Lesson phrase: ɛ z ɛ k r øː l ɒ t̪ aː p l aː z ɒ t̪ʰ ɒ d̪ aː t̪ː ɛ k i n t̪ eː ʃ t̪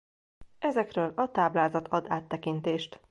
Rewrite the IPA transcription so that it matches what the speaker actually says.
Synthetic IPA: ɛ z ɛ k r øː l ɒ t̪ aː b l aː z ɒ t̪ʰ ɒ d̪ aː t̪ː ɛ k i n t̪ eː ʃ t̪